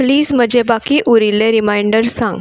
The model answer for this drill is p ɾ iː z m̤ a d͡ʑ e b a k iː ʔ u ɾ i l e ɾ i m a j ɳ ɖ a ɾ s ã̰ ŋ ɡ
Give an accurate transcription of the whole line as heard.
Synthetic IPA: p l iː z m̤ ə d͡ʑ e b a k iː ʔ u ɾ i l e ɾ i m a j ɳ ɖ ə ɾ s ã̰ ŋ ɡ